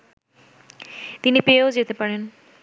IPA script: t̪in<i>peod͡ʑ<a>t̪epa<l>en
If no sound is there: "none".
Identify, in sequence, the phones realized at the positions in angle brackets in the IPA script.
i, e, ɾ

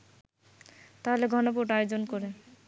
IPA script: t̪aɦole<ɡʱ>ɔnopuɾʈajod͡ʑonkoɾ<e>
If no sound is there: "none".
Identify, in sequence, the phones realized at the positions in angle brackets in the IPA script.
ɡʱ, e

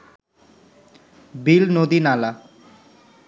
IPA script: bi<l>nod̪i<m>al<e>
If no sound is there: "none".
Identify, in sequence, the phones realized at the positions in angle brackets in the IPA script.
l, n, a

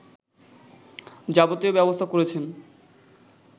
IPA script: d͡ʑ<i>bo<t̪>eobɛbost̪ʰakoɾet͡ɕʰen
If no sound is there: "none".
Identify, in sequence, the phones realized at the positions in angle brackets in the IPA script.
a, t̪

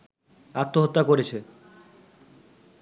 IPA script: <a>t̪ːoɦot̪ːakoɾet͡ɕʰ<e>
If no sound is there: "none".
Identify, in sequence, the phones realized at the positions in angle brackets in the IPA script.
a, e

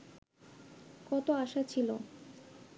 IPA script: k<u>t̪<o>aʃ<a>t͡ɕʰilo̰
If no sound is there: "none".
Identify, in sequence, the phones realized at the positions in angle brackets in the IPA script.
ɔ, o, a

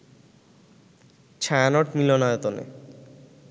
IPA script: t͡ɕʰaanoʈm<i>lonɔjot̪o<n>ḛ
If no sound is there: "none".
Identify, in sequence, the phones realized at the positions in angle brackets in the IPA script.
i, n

